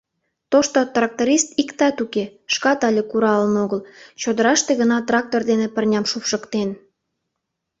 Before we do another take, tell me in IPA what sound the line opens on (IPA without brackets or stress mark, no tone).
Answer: t̪